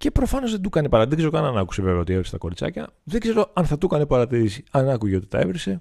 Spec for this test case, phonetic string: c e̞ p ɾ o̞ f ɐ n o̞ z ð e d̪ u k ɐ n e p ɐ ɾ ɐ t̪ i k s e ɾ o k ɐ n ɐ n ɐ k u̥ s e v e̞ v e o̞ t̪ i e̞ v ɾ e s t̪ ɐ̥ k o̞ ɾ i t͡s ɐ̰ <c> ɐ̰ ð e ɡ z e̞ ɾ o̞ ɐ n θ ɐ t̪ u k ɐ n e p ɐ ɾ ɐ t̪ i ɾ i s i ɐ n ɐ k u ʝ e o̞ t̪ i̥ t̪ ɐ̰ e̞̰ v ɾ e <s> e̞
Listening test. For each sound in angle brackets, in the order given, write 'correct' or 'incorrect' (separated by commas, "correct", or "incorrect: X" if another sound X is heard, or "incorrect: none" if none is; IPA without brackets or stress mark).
correct, correct